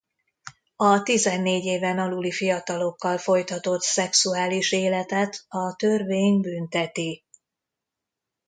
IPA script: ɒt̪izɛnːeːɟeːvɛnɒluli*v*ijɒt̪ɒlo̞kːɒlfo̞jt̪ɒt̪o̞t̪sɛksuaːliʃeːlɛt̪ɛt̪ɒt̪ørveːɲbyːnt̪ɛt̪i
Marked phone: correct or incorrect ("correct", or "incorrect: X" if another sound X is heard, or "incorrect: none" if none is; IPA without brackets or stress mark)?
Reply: incorrect: f